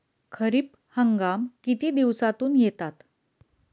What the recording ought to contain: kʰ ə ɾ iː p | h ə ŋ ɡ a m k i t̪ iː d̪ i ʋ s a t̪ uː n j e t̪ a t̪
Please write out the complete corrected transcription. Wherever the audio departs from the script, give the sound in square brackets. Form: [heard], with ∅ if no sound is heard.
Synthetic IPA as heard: kʰ ə ɾ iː p | h ə ŋ ɡ a m k i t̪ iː d̪ i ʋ s a t̪ uː n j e t̪ a t̪